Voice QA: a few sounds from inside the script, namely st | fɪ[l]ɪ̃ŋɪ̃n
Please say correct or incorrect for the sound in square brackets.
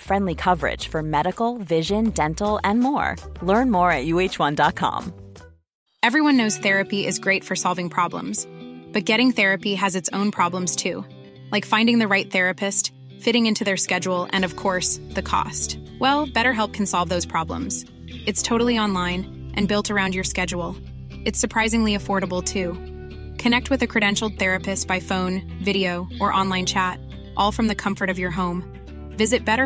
incorrect